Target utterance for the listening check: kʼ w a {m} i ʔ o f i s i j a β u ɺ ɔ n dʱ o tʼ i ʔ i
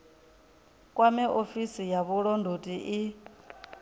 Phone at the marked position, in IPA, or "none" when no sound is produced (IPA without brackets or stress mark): m